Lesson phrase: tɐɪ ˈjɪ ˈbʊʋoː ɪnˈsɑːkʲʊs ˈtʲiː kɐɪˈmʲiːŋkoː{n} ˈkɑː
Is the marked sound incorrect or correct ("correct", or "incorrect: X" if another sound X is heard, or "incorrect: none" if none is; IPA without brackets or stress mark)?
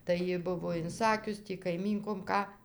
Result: incorrect: m